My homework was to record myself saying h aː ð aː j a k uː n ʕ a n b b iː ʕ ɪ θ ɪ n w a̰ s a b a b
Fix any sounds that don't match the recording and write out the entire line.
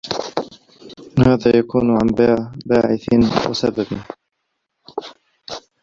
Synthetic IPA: h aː ð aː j a k uː n ʕ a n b b aː ʕ ɪ θ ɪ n w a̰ s a b a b